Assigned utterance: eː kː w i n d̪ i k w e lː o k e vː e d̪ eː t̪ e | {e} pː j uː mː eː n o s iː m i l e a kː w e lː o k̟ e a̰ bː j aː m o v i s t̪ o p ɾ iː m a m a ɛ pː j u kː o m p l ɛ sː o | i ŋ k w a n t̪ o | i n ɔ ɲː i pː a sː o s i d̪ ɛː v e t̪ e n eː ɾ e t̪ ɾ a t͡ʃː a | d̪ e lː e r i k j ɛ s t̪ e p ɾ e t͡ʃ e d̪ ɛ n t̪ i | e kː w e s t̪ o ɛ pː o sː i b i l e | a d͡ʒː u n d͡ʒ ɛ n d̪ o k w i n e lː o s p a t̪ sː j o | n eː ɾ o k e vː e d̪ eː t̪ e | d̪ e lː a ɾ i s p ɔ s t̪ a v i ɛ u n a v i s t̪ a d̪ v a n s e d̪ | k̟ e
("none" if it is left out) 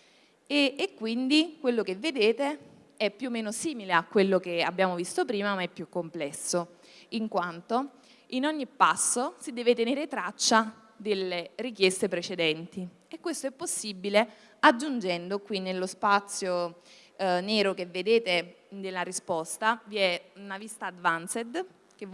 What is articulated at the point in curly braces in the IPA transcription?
ɛ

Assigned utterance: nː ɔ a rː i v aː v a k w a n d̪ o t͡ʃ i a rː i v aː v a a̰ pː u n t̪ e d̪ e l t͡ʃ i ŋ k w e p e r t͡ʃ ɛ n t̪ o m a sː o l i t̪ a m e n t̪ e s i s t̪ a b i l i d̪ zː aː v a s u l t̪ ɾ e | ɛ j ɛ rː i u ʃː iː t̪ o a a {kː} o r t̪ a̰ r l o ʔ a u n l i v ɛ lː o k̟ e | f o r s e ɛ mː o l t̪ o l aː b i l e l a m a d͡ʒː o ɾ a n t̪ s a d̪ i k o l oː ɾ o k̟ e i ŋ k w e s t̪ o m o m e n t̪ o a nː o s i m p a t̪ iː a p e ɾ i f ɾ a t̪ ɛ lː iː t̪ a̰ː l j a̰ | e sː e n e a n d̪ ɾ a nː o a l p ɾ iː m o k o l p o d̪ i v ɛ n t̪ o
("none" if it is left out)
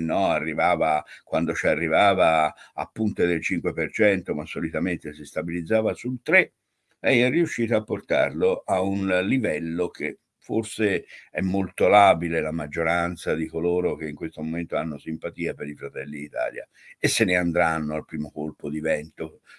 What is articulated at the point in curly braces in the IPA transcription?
pː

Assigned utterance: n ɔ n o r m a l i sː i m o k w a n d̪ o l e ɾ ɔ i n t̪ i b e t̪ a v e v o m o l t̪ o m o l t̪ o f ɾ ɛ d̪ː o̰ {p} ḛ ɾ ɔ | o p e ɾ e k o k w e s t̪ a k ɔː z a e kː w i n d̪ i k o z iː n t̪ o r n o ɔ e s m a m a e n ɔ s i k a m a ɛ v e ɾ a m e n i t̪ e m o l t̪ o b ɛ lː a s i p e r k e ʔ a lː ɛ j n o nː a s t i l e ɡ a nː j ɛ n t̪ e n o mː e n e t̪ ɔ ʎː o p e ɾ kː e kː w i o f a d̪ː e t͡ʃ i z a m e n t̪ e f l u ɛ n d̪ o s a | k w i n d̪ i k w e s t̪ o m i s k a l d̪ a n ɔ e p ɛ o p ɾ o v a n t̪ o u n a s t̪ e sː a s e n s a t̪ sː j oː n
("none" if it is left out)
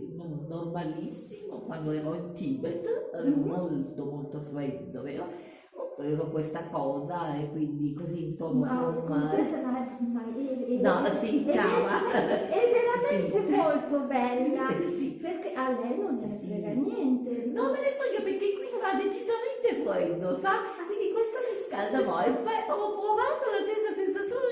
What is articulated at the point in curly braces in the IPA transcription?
p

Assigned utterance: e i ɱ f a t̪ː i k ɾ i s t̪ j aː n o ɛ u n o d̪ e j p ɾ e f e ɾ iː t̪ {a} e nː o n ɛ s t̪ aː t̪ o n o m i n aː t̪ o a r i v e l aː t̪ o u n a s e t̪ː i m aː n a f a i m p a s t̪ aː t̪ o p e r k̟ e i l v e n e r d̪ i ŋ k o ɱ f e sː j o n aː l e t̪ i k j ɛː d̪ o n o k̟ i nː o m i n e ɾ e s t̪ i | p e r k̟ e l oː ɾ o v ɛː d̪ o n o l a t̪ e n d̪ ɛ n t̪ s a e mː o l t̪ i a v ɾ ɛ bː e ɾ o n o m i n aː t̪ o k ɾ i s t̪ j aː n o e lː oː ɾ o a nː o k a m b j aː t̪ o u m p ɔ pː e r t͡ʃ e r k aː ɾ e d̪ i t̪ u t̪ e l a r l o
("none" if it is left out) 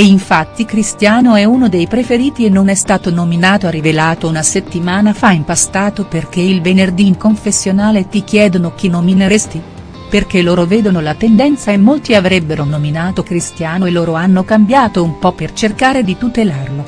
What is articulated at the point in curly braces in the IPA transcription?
i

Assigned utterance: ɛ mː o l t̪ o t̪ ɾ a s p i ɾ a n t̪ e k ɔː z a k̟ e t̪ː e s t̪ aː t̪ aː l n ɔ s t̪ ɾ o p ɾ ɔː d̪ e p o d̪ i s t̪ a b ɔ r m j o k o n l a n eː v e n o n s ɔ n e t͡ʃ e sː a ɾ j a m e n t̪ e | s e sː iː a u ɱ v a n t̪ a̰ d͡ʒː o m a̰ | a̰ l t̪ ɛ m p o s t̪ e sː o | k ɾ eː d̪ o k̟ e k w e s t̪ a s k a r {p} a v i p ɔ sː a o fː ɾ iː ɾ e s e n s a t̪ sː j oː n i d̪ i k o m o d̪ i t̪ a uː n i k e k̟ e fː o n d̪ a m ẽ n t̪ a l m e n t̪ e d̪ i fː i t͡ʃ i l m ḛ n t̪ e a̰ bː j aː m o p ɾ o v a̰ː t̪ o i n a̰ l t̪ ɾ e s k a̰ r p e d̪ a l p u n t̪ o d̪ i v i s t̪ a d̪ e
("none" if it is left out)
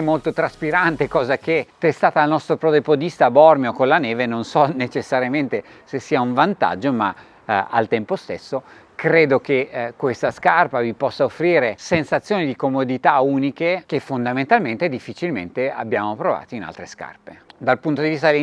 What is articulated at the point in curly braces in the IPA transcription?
p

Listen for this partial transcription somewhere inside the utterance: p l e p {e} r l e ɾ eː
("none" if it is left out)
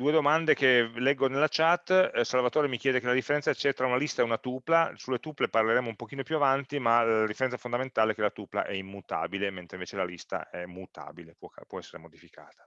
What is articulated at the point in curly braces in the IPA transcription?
a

